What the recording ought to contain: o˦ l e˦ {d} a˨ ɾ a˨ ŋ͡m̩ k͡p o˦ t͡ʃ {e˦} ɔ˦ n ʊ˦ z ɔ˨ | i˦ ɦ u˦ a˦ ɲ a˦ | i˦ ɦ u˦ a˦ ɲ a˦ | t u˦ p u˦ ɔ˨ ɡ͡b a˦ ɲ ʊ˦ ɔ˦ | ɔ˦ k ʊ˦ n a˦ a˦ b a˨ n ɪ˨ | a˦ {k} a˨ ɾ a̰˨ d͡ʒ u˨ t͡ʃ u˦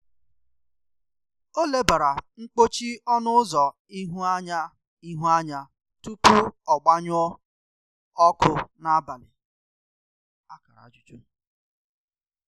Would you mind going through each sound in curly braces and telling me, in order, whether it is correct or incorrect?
incorrect: b, incorrect: i˦, correct

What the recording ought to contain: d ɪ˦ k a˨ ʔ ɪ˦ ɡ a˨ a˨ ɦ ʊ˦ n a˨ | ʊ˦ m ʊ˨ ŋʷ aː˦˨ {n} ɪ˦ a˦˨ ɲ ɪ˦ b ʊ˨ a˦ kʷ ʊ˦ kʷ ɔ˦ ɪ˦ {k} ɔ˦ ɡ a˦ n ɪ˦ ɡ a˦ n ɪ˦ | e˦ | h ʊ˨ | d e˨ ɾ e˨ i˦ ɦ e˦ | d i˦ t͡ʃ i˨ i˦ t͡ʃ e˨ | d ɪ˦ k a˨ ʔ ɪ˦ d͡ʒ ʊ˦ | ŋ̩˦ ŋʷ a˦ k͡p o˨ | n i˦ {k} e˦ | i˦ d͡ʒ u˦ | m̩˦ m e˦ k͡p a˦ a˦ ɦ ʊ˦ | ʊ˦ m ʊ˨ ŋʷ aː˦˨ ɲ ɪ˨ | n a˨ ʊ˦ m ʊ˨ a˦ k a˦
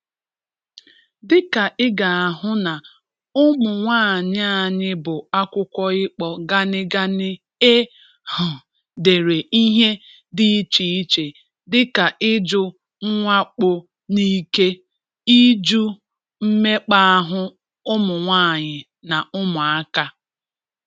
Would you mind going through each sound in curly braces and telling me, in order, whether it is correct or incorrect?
incorrect: ɲ, incorrect: k͡p, correct

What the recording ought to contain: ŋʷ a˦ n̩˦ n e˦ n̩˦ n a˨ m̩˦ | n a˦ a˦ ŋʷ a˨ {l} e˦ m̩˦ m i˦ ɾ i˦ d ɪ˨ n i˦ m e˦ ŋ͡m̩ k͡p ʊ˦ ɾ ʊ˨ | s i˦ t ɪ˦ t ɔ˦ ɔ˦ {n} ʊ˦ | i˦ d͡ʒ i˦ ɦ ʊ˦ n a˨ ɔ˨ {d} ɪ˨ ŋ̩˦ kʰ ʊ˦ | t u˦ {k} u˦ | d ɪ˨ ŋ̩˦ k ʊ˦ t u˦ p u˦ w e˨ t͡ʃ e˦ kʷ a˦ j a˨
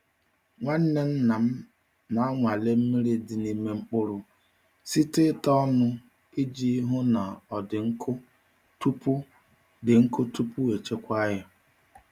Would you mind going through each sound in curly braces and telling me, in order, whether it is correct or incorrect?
correct, correct, correct, incorrect: p

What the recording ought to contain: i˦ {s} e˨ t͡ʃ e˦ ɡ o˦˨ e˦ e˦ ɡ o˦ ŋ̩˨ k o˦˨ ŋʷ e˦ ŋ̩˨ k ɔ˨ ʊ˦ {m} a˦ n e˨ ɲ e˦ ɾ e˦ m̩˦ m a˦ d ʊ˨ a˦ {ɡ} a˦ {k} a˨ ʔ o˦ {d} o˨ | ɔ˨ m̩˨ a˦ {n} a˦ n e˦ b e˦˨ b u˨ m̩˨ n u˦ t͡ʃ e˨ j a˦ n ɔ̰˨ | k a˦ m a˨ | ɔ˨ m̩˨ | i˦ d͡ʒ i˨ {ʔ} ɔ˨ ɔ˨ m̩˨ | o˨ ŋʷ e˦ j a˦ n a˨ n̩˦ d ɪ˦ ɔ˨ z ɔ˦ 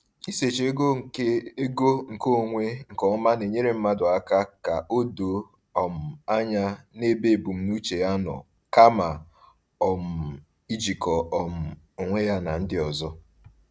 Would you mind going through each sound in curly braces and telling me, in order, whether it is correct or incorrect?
correct, correct, incorrect: k, correct, correct, incorrect: ɲ, incorrect: k

